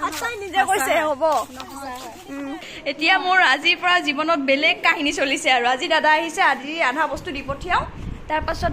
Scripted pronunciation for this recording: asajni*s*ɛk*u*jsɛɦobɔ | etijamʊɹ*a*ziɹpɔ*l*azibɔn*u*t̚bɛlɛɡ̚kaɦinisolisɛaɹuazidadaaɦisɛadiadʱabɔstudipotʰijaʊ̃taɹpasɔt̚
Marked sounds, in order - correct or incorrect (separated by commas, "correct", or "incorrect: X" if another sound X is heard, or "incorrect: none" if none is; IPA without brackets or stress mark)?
incorrect: z, incorrect: o, correct, incorrect: ɹ, incorrect: ɔ